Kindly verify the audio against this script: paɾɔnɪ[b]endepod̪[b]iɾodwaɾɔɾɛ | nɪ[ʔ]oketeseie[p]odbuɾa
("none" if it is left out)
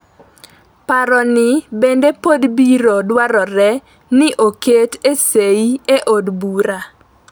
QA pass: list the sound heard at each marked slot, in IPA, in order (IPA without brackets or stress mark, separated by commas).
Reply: b, b, ʔ, ʔ